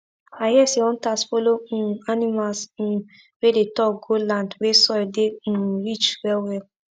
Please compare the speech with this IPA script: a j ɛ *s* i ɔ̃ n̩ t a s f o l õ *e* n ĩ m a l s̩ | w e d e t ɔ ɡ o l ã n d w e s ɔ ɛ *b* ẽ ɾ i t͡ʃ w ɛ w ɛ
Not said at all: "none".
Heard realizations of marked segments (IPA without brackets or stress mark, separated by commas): s, a, d